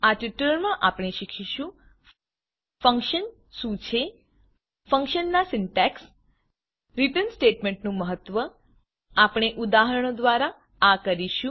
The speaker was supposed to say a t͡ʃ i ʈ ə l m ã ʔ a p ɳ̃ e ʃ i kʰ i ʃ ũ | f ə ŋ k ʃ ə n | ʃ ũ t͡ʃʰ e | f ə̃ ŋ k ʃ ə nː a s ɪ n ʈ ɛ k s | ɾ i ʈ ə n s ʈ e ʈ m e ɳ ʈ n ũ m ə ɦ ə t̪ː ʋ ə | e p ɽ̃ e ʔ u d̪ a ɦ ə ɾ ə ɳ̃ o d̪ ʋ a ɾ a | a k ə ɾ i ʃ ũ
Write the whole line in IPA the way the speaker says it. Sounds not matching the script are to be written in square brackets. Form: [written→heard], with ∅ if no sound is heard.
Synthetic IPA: a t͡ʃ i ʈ ə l m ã ʔ a p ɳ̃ e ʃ i kʰ i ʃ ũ | f ə ŋ k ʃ ə n | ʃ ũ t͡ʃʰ e | f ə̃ ŋ k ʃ ə nː a s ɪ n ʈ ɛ k s | ɾ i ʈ ə n s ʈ e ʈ m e ɳ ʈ n ũ m ə ɦ ə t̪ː ʋ ə | [e→a] p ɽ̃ e ʔ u d̪ a ɦ ə ɾ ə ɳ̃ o d̪ ʋ a ɾ a | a k ə ɾ i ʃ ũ